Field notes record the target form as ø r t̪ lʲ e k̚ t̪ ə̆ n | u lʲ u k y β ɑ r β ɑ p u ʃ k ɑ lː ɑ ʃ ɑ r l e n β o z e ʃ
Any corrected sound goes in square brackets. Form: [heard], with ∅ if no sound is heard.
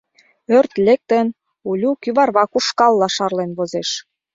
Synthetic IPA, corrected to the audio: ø r t̪ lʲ e k̚ t̪ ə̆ n | u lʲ u k y β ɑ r β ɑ [k] u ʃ k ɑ lː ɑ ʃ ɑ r l e n β o z e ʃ